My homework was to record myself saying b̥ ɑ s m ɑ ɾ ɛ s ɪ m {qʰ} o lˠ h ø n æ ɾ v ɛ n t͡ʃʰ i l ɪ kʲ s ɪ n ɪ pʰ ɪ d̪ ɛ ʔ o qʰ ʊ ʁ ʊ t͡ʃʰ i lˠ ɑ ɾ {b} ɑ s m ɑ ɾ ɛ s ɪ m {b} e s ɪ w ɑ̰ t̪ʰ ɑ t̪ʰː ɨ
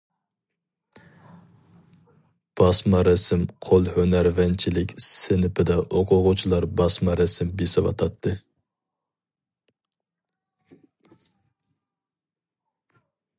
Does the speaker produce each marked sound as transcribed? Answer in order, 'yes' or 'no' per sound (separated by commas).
yes, yes, yes